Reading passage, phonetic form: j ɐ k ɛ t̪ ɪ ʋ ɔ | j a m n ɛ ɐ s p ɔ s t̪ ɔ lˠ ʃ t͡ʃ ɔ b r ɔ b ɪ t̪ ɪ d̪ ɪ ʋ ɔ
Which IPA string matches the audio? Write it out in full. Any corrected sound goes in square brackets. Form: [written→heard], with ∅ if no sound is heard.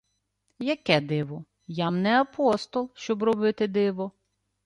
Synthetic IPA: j ɐ k ɛ [t̪→d̪] ɪ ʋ ɔ | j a m n ɛ ɐ [s→∅] p ɔ s t̪ ɔ lˠ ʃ t͡ʃ ɔ b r ɔ b ɪ t̪ ɪ d̪ ɪ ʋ ɔ